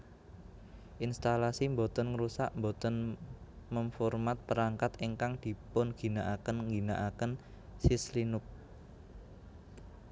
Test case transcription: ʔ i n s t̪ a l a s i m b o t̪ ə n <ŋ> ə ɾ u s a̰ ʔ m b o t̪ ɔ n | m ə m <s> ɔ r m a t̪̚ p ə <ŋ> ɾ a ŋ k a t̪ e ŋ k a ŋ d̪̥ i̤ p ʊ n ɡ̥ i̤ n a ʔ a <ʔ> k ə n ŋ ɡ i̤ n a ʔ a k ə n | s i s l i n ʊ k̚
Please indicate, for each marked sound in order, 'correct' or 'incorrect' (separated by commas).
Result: correct, incorrect, incorrect, incorrect